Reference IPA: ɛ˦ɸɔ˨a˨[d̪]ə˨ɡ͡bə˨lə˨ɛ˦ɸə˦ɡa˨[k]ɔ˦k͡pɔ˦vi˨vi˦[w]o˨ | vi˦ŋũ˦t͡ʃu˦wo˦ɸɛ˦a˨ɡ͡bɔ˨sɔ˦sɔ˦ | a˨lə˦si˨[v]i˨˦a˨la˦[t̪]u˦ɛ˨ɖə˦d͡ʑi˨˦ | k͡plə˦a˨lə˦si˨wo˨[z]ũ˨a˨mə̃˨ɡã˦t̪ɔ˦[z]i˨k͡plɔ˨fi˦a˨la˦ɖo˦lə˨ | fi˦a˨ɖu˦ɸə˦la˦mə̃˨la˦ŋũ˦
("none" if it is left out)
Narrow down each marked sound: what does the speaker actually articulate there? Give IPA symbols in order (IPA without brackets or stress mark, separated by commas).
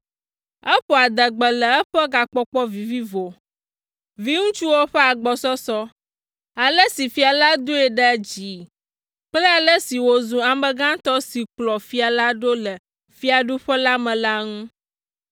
d̪, k͡p, v, f, d̪, z, s